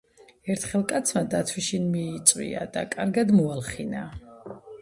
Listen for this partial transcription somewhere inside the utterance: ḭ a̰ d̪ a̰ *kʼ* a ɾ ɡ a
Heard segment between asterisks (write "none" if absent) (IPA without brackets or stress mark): kʼ